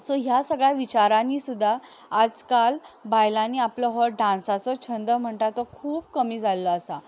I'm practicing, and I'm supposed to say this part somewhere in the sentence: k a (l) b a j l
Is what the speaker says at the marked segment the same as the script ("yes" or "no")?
yes